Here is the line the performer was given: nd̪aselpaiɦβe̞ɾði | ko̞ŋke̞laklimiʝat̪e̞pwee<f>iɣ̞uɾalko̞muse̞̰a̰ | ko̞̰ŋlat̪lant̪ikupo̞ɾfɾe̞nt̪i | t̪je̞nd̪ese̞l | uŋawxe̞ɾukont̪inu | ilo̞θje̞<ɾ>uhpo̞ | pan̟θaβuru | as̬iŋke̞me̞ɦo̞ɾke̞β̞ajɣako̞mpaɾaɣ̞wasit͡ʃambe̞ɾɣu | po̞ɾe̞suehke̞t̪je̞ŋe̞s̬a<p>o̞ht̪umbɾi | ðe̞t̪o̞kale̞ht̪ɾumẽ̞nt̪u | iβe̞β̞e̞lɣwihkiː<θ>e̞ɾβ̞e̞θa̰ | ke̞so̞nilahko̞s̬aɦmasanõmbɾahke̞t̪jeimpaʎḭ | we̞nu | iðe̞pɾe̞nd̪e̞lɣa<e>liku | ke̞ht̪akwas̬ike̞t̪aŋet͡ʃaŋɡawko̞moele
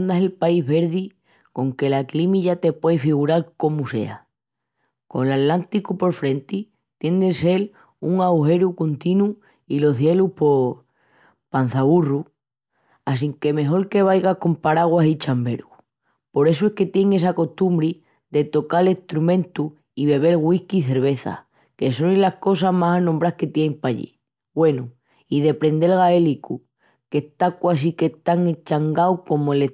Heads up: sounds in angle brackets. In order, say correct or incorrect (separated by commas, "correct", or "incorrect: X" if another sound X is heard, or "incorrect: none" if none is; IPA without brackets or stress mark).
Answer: correct, incorrect: l, incorrect: k, correct, correct